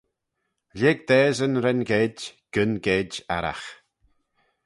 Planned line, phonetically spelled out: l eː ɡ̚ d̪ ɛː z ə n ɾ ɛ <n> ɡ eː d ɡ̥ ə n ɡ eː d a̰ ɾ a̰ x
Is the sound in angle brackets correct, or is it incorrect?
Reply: correct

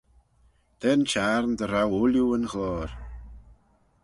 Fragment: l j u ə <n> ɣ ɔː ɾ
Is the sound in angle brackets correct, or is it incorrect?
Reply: correct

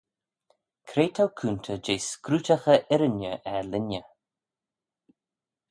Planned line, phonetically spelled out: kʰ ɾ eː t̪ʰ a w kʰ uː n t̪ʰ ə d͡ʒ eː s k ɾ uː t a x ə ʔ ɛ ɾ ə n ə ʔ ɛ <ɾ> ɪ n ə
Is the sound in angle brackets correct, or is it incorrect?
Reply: incorrect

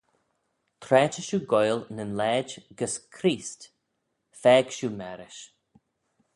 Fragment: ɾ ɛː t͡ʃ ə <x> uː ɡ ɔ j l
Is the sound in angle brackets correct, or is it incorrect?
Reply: incorrect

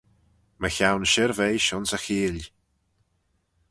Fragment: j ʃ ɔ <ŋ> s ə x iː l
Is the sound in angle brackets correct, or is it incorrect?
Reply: incorrect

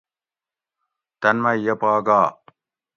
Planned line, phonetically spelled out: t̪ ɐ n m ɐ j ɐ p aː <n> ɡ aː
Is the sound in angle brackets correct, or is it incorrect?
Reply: incorrect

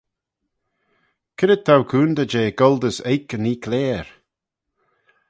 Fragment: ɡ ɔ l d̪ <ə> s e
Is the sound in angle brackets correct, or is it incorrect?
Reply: correct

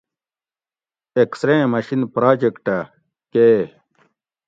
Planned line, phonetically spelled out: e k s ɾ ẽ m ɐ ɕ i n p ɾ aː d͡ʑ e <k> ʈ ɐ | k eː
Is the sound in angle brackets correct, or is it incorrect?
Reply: correct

